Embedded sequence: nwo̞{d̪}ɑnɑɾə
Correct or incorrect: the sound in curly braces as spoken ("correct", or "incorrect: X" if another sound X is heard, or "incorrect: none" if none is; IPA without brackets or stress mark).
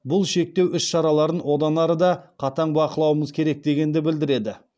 correct